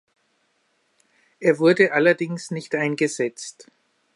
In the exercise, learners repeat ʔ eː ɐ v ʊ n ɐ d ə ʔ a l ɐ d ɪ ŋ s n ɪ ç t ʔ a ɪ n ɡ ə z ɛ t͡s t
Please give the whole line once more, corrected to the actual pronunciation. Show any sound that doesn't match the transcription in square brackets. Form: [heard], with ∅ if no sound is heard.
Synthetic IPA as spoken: ʔ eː ɐ v ʊ [∅] ɐ d ə ʔ a l ɐ d ɪ ŋ s n ɪ ç t ʔ a ɪ n ɡ ə z ɛ t͡s t